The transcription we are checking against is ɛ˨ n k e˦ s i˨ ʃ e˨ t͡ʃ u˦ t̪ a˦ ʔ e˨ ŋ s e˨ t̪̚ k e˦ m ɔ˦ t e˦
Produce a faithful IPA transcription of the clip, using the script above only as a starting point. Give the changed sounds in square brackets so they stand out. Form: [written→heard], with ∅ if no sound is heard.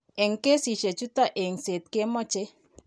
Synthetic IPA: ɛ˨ [n→ŋ] k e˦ s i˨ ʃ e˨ t͡ʃ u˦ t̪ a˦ ʔ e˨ ŋ s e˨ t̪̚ k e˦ m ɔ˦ [t→t͡ʃ] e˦